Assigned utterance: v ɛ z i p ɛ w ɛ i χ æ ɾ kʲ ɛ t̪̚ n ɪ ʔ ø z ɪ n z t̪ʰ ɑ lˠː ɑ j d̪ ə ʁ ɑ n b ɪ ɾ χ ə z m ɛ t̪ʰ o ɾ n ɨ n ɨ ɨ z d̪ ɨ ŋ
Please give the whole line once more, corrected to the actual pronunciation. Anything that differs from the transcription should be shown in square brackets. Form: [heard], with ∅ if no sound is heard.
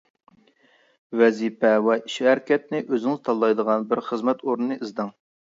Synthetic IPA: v ɛ z i p ɛ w ɛ i [ʃ] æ ɾ kʲ ɛ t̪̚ n ɪ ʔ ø z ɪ [ŋ] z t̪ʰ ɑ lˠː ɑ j d̪ ə ʁ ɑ n b ɪ ɾ χ ə z m ɛ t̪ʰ o ɾ n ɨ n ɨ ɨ z d̪ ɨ ŋ